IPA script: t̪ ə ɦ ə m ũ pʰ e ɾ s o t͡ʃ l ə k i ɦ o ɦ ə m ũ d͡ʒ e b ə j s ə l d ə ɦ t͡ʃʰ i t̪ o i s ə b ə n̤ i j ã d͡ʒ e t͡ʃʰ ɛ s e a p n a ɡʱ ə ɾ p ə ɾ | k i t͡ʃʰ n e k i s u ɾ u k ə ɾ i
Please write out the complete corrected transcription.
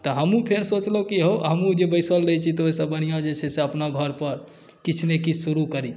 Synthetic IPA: t̪ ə ɦ ə m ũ pʰ e ɾ s o t͡ʃ l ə k i ɦ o ɦ ə m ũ d͡ʒ e b ə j s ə l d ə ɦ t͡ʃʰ i t̪ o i s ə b ə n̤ i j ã d͡ʒ e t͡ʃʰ ɛ s e ə p n a ɡʱ ə ɾ p ə ɾ | k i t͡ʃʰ n e k i s u ɾ u k ə ɾ i